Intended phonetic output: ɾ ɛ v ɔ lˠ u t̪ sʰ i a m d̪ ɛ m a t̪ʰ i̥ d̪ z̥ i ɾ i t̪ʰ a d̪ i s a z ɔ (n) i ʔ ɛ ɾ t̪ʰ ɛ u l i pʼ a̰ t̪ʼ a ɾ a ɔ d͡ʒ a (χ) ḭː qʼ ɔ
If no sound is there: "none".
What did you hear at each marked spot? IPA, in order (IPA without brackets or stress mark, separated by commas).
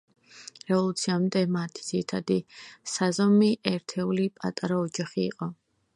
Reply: m, χ